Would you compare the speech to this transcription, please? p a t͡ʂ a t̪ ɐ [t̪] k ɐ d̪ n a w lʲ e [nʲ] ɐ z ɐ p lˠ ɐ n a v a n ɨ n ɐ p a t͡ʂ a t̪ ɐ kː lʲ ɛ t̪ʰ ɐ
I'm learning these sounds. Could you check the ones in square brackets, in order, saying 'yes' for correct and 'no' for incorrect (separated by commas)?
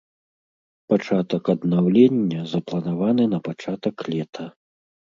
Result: no, no